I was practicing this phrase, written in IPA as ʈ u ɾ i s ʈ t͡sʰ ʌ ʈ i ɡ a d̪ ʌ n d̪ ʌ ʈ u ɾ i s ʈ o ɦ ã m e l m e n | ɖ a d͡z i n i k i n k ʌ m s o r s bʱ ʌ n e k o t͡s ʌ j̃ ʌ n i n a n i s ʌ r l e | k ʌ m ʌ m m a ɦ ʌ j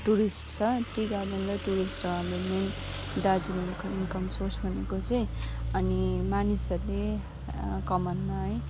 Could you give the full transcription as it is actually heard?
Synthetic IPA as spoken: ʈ u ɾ i s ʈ t͡sʰ ʌ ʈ i ɡ a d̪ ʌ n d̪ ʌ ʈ u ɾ i s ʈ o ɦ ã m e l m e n | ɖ a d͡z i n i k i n k ʌ m s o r s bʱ ʌ n e k o t͡s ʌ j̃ ʌ n i m a n i s ʌ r l e | k ʌ m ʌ n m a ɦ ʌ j